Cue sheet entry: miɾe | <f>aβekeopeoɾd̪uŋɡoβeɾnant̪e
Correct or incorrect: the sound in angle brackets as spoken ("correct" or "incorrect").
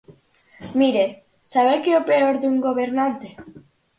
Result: incorrect